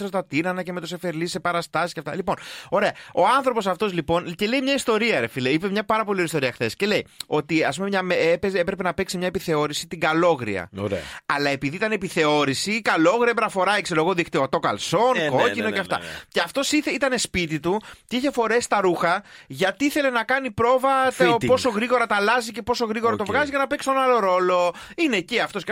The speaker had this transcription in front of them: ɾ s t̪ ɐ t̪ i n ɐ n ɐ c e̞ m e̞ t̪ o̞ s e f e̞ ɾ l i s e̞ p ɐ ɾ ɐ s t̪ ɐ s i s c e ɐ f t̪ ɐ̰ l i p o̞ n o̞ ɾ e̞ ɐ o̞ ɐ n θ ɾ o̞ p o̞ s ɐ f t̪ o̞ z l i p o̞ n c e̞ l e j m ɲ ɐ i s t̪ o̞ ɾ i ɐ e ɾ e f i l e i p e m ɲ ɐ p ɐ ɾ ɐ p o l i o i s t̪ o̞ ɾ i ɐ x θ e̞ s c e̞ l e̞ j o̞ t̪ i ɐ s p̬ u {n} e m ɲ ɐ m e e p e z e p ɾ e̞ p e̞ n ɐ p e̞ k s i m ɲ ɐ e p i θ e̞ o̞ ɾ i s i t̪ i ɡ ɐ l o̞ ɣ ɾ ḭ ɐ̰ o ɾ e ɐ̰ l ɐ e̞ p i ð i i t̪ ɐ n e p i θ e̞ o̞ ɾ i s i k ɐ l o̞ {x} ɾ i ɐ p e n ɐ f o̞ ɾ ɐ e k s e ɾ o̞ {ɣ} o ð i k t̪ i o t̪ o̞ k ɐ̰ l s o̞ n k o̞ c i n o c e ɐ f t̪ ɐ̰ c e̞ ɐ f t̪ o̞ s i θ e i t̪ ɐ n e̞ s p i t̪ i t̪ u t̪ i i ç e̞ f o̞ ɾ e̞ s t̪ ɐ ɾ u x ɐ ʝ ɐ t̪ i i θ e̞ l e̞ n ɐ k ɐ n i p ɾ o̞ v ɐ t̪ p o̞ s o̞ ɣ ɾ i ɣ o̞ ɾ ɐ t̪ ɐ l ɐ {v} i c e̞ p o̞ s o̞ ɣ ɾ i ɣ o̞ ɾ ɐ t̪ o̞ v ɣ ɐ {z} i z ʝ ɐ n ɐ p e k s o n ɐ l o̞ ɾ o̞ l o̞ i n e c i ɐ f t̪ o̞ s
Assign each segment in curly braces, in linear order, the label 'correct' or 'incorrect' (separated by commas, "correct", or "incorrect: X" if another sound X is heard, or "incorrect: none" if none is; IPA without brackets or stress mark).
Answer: incorrect: m, incorrect: ɣ, correct, incorrect: z, correct